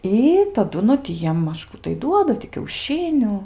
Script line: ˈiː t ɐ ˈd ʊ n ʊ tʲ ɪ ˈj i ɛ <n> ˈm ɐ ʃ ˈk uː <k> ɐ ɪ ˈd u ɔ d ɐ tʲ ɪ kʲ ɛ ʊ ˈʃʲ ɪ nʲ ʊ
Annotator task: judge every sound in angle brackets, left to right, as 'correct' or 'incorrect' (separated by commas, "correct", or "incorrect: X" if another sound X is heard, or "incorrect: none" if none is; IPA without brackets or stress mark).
incorrect: m, incorrect: t